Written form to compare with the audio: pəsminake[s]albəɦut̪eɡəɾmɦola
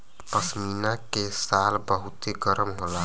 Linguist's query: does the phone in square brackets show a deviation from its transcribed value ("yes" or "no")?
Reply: no